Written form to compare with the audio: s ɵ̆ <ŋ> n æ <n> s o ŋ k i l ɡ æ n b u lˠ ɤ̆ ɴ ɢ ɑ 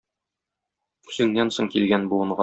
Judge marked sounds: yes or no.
yes, yes

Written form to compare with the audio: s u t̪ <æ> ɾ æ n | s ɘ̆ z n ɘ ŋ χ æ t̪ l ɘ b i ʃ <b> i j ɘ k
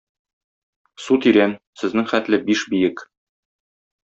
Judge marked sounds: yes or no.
no, yes

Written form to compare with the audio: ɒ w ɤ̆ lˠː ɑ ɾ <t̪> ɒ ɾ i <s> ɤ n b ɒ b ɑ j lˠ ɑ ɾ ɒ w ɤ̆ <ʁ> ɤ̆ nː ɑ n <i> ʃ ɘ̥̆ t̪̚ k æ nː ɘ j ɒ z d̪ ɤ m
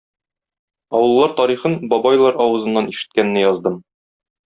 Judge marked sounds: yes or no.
yes, no, no, yes

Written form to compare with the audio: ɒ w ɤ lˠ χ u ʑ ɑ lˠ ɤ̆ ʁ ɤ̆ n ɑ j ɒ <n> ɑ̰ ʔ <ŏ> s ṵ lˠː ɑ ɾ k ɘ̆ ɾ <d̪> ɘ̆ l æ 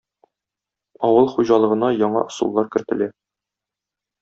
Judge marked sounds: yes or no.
no, yes, no

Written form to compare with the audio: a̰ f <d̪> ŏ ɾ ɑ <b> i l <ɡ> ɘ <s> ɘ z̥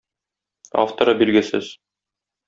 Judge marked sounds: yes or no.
no, yes, yes, yes

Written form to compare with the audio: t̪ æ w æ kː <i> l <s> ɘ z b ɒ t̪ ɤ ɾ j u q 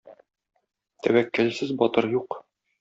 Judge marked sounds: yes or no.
no, yes

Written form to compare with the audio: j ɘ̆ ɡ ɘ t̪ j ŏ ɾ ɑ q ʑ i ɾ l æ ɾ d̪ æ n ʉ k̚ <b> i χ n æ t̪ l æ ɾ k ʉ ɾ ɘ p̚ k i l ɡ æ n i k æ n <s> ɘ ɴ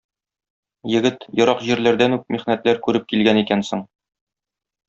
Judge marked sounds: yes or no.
no, yes

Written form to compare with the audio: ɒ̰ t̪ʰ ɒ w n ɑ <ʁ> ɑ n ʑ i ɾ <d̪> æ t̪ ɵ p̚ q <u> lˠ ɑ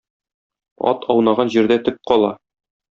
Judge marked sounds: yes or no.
yes, yes, no

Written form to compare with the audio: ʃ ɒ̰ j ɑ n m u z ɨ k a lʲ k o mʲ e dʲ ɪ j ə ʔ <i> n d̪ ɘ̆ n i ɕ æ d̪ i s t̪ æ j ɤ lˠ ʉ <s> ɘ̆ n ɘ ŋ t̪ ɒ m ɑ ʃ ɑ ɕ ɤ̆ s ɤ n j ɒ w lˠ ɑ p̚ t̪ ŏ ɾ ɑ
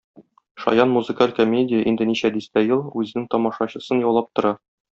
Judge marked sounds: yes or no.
yes, no

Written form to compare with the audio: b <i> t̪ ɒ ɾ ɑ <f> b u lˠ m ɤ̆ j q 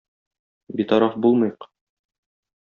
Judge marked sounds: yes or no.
yes, yes

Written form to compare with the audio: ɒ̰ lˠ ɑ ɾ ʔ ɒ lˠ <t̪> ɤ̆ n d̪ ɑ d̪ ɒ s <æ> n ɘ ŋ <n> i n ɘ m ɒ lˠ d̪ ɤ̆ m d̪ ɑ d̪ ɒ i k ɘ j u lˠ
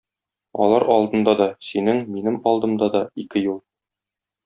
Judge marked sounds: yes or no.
no, no, no

